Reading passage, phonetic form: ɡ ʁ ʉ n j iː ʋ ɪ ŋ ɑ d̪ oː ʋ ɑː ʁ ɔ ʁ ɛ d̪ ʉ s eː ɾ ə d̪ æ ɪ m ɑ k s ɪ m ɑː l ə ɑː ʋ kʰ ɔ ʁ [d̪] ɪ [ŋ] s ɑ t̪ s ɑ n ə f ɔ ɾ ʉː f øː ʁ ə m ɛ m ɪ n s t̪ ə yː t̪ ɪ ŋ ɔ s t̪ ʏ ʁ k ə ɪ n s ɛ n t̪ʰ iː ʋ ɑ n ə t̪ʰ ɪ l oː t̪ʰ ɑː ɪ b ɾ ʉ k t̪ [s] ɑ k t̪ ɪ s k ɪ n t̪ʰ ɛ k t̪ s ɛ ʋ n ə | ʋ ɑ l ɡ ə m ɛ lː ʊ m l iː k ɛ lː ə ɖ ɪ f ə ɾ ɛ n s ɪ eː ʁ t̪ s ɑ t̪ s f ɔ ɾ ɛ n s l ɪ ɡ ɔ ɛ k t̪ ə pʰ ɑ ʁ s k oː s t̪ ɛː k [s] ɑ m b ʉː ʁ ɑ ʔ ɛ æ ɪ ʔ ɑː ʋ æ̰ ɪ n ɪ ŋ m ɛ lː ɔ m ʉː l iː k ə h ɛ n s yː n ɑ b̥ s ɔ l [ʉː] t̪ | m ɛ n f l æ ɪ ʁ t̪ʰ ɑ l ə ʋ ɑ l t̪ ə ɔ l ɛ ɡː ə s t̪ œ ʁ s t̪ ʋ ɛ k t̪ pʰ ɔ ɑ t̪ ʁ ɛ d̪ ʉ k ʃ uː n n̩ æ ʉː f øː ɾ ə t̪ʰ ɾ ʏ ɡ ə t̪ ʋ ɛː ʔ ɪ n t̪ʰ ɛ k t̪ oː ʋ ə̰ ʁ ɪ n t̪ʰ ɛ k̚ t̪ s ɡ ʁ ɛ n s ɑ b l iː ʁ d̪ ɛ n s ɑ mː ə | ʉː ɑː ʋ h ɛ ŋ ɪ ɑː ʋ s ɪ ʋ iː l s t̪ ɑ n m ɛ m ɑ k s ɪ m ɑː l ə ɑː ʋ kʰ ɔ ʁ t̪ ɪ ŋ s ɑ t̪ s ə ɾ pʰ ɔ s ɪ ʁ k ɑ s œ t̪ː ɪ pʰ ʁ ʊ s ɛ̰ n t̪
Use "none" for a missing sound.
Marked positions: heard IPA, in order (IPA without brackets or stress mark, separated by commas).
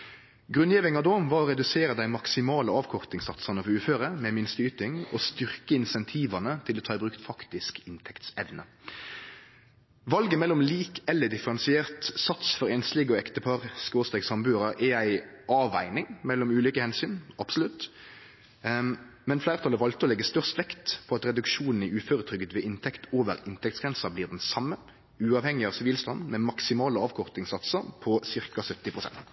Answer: t̪, ŋ, f, s, ʉ